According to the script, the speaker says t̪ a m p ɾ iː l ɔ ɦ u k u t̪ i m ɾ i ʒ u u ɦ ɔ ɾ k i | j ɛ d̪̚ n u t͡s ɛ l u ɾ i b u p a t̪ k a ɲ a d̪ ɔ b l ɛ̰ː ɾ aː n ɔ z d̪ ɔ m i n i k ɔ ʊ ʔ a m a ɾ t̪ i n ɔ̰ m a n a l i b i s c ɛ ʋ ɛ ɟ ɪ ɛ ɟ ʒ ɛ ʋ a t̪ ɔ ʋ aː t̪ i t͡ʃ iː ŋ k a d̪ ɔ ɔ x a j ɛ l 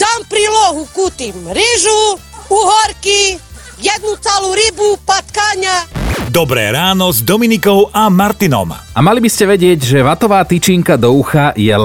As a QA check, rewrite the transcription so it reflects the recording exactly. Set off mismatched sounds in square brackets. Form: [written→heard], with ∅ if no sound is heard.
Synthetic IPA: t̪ a m p ɾ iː l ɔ ɦ u k u t̪ i m ɾ i ʒ u u ɦ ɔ ɾ k i | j ɛ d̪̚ n u t͡s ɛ l u ɾ i b u p a t̪ k a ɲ a d̪ ɔ b [l→ɾ] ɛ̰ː ɾ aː n ɔ z d̪ ɔ m i n i k ɔ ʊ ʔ a m a ɾ t̪ i n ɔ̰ m a [n→m] a l i b i s c ɛ ʋ ɛ ɟ ɪ ɛ ɟ ʒ ɛ ʋ a t̪ ɔ ʋ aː t̪ i t͡ʃ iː ŋ k a d̪ ɔ [ɔ→u] x a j ɛ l